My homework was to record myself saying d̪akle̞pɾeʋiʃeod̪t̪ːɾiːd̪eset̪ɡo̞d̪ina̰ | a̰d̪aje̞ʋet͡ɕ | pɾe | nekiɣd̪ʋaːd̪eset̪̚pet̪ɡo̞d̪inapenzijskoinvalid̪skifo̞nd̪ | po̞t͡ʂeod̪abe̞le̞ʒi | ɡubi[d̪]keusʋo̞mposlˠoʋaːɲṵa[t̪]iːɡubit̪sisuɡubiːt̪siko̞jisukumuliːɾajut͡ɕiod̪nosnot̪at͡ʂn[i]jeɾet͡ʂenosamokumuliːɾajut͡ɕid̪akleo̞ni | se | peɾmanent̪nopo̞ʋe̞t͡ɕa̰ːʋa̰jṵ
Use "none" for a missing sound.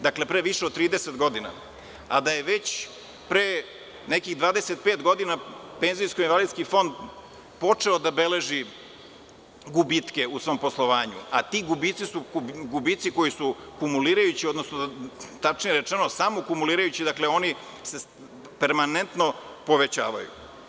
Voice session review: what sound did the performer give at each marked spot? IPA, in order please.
t̪, t̪, i

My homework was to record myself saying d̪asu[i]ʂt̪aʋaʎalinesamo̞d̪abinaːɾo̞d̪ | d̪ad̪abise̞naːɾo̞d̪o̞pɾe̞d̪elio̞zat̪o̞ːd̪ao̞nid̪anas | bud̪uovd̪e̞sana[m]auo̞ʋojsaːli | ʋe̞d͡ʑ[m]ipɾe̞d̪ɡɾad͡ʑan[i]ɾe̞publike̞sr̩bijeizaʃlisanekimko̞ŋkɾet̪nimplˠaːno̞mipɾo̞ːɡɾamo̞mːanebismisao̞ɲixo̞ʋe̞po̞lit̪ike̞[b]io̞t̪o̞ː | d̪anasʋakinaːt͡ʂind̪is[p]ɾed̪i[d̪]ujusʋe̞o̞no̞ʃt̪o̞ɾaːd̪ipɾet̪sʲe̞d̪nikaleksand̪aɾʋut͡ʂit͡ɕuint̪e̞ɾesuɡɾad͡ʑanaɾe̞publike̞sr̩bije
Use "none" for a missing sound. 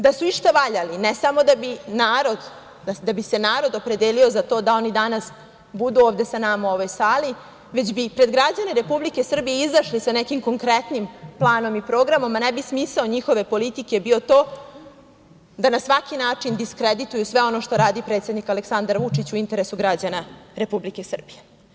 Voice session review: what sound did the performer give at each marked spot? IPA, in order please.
i, m, b, e, b, k, t̪

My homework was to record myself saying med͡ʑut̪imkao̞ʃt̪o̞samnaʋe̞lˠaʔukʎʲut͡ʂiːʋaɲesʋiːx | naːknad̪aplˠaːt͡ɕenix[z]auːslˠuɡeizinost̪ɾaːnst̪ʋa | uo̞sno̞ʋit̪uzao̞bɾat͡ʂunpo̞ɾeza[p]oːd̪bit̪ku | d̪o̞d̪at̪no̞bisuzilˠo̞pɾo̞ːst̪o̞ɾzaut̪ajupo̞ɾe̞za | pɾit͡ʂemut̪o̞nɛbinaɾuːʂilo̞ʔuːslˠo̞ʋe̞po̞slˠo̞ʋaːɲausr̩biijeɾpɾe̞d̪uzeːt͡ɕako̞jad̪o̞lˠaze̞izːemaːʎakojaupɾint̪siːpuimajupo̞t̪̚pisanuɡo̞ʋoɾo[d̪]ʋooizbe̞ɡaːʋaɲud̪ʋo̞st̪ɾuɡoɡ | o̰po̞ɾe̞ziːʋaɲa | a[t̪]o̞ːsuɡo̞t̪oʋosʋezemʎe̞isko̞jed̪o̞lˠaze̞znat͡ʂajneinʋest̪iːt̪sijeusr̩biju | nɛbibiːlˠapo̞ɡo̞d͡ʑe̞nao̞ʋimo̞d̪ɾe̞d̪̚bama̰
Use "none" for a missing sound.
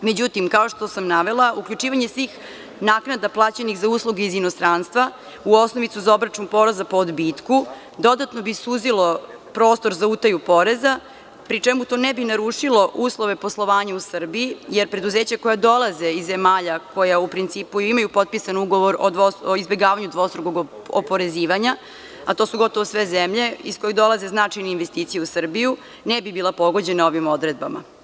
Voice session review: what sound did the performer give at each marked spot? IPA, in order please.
z, p, d̪, t̪

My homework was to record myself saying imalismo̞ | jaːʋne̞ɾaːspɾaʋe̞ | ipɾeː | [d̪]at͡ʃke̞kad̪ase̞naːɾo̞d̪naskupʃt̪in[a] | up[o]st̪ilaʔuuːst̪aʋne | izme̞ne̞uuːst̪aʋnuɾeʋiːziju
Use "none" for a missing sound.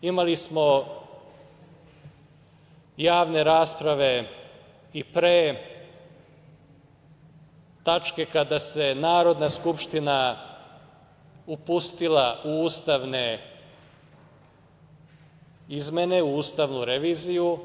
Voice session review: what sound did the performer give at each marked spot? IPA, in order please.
t̪, a, u

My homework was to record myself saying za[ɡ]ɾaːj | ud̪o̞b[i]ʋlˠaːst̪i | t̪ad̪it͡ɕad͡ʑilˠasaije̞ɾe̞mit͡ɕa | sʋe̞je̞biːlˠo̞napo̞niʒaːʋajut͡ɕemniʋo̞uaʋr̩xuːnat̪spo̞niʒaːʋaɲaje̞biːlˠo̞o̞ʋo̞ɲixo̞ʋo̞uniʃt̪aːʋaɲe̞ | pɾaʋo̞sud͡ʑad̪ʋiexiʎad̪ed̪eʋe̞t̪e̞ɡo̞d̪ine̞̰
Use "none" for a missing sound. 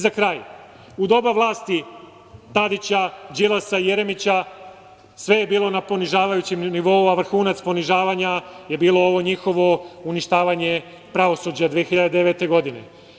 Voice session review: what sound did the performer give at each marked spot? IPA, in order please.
k, a

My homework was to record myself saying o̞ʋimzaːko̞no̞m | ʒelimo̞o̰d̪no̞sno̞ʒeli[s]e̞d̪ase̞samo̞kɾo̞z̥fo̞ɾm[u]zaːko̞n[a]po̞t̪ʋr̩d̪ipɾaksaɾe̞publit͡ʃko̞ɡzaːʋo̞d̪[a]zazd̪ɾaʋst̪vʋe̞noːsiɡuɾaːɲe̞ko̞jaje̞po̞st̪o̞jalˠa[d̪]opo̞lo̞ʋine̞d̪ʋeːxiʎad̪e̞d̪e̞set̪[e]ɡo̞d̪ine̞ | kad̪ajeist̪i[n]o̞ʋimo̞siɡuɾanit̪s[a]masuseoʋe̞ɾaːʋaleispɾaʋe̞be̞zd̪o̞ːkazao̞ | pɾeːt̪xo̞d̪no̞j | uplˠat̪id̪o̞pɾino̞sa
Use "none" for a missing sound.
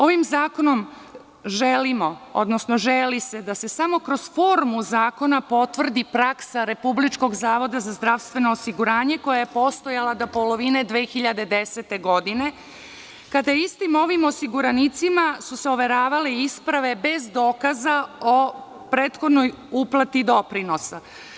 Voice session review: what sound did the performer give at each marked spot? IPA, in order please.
s, u, a, a, d̪, e, m, i

